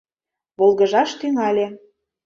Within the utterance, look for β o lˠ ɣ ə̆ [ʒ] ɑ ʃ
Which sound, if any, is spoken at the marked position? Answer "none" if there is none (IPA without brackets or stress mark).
ʒ